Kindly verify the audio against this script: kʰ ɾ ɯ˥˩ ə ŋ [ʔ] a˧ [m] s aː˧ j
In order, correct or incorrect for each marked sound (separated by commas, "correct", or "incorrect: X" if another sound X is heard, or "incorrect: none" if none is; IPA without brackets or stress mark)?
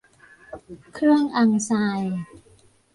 correct, incorrect: ŋ